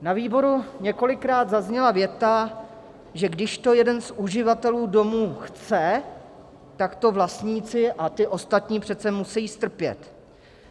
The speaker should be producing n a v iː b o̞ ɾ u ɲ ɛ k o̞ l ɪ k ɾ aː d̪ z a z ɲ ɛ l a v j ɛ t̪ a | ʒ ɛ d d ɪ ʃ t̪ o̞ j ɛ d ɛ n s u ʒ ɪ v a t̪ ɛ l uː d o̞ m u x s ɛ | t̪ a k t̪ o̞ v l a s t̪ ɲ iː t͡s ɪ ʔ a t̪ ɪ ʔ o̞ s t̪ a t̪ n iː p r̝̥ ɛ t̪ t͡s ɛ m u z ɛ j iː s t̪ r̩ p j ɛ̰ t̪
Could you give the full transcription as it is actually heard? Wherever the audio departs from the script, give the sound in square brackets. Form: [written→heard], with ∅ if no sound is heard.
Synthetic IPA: n a v iː b o̞ ɾ u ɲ ɛ k o̞ l ɪ k ɾ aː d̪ z a z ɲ ɛ l a v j ɛ t̪ a | ʒ ɛ [d→ɡ] d ɪ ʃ t̪ o̞ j ɛ d ɛ n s u ʒ ɪ v a t̪ ɛ l uː d o̞ m [u→uː] x [s→t͡s] ɛ | t̪ a k t̪ o̞ v l a s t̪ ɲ iː t͡s ɪ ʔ a t̪ ɪ ʔ o̞ s t̪ a t̪ [n→ɲ] iː p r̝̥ ɛ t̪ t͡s ɛ m u [z→s] ɛ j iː s t̪ r̩ p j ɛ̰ t̪